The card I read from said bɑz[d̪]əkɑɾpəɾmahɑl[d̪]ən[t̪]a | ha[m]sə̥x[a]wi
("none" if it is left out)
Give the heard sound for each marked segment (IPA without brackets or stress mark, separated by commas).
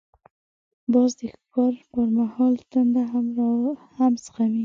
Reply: d̪, t̪, d̪, m, a